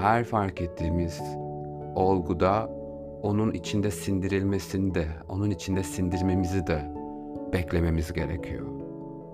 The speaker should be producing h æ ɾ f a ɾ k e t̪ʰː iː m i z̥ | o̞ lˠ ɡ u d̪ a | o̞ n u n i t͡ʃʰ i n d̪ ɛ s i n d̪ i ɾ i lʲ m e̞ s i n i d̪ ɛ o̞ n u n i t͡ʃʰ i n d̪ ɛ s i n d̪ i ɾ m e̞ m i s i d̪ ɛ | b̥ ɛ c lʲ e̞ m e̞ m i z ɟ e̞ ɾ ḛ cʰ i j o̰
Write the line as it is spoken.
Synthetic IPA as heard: h æ ɾ f a ɾ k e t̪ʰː iː m i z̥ | o̞ lˠ ɡ u d̪ a | o̞ n u n i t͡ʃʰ i n d̪ ɛ s i n d̪ i ɾ i lʲ m e̞ s i n i d̪ ɛ o̞ n u n i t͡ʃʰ i n d̪ ɛ s i n d̪ i ɾ m e̞ m i z i d̪ ɛ | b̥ ɛ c lʲ e̞ m e̞ m i z ɟ e̞ ɾ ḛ cʰ i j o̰